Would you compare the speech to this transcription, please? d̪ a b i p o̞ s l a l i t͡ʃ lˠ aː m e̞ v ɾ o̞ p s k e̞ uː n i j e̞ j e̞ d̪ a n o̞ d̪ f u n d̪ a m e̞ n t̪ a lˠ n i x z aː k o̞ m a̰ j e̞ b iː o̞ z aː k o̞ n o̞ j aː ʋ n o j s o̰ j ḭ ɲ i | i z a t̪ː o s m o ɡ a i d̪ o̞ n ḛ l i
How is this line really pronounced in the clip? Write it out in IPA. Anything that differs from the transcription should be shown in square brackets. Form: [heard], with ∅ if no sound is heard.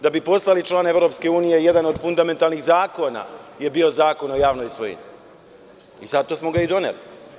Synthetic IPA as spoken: d̪ a b i p o̞ s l a l i t͡ʃ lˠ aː [n] e̞ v ɾ o̞ p s k e̞ uː n i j e̞ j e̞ d̪ a n o̞ d̪ f u n d̪ a m e̞ n t̪ a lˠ n i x z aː k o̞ [n] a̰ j e̞ b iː o̞ z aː k o̞ n o̞ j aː ʋ n o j s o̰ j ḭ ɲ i | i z a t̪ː o s m o ɡ a i d̪ o̞ n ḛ l i

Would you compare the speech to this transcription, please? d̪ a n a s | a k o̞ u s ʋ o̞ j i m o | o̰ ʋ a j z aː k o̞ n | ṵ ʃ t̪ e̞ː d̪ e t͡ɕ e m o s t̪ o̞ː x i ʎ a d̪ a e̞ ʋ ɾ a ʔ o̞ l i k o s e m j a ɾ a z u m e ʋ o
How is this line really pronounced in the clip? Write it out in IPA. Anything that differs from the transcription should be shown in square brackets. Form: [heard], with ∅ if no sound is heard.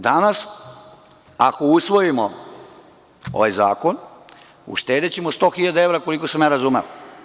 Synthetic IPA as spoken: d̪ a n a s | a k o̞ u s ʋ o̞ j i m o | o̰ ʋ a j z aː k o̞ n | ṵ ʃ t̪ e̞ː d̪ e t͡ɕ e m o s t̪ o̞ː x i ʎ a d̪ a e̞ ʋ ɾ a [k] o̞ l i k o s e m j a ɾ a z u m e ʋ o

